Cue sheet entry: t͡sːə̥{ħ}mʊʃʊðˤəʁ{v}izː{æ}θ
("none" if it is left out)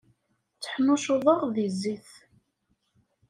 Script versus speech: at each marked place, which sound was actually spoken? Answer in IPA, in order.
ħ, ð, i

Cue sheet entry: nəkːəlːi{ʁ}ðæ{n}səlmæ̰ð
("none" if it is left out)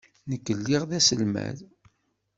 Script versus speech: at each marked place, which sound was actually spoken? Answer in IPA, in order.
ʁ, none

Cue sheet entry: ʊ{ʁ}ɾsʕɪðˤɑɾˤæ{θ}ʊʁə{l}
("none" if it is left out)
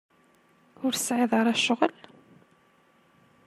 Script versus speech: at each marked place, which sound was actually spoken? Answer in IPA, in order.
none, ʃ, l

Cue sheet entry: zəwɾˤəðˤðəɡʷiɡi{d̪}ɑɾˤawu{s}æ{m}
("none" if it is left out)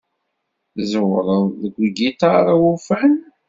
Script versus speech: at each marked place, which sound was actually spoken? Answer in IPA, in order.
t̪, f, n

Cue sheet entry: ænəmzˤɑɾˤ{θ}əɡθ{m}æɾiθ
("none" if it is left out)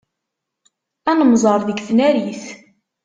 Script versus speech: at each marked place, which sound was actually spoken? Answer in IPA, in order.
ð, n

